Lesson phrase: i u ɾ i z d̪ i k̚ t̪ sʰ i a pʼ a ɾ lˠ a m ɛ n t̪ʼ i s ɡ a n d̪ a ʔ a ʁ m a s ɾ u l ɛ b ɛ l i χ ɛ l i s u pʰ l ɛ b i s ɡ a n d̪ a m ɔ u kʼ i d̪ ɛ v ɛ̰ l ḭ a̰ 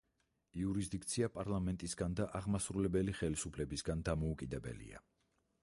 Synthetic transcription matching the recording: i u ɾ i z d̪ i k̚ t̪ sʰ i a pʼ a ɾ lˠ a m ɛ n t̪ʼ i s ɡ a n d̪ a ʔ a ʁ m a s ɾ u l ɛ b ɛ l i χ ɛ l i s u pʰ l ɛ b i s ɡ a n d̪ a m ɔ u kʼ i d̪ ɛ b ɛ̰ l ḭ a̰